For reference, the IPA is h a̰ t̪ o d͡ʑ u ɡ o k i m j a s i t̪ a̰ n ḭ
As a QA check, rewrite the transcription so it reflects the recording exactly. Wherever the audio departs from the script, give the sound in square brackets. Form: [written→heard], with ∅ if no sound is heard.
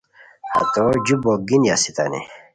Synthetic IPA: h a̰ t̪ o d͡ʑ u [ɡ→b] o [k→ɡ] i [m→n] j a s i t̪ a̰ n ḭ